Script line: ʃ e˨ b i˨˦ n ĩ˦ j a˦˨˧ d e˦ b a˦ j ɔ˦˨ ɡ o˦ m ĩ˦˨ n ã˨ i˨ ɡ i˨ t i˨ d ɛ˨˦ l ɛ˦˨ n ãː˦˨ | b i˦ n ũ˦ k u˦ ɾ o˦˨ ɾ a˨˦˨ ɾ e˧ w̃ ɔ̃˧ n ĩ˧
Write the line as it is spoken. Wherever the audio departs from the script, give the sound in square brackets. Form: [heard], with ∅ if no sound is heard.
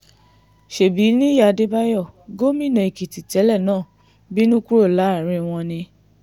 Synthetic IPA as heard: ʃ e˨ b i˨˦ n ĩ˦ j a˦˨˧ d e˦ b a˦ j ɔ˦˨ ɡ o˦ m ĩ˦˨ n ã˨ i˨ [k] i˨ t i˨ [t] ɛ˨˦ l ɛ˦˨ n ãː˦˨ | b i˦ n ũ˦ k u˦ ɾ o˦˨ [l] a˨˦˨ ɾ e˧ w̃ ɔ̃˧ n ĩ˧